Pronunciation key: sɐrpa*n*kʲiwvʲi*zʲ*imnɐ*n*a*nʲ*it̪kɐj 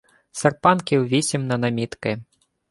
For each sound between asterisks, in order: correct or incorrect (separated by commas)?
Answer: correct, incorrect, correct, incorrect